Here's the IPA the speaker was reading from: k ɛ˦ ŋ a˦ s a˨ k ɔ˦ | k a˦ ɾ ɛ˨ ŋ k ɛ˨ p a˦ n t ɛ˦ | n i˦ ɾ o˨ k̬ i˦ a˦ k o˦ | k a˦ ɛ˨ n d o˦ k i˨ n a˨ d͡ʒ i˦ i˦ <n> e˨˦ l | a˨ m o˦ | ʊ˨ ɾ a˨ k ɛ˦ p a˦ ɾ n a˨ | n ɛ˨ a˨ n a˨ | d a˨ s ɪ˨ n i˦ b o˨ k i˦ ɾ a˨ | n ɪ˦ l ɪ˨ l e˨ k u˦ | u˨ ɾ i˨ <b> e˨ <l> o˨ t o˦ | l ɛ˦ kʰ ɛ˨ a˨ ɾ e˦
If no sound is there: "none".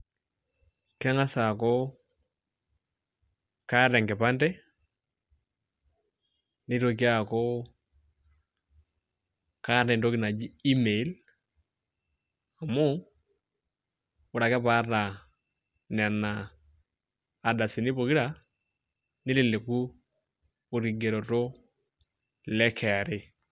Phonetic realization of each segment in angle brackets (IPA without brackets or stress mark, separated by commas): m, ɡ, ɾ